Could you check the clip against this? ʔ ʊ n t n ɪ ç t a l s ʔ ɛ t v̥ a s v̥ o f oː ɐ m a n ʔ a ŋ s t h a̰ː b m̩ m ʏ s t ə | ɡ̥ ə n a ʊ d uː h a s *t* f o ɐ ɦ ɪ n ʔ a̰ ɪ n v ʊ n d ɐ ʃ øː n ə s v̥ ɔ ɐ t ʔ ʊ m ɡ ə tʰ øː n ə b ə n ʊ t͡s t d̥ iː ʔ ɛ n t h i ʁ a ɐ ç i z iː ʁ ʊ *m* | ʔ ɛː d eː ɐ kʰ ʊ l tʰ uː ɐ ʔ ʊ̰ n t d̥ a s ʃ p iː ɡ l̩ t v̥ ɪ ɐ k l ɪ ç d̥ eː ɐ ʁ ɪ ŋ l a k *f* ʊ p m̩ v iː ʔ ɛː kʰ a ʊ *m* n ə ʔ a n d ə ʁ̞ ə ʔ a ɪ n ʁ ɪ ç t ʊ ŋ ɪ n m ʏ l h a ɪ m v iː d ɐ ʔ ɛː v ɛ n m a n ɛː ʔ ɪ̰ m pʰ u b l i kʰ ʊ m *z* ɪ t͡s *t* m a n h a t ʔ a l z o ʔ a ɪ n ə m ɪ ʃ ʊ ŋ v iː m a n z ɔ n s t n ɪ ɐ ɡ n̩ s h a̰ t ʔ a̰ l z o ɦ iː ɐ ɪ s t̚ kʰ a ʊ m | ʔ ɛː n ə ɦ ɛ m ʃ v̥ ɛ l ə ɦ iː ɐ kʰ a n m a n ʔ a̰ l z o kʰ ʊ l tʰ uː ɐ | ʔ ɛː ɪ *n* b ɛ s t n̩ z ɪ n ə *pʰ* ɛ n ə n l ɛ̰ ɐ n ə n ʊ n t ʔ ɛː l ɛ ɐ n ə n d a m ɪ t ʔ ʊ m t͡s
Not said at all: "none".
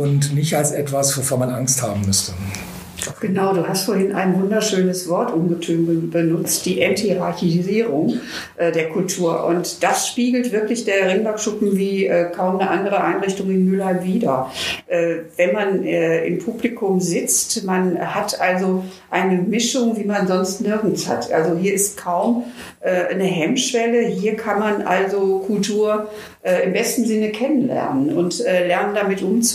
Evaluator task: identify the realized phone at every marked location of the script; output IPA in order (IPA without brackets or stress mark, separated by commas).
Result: t, ŋ, ʃ, m, z, t, m, kʰ